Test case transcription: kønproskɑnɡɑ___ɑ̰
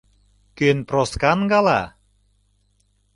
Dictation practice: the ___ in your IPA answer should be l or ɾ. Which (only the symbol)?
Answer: l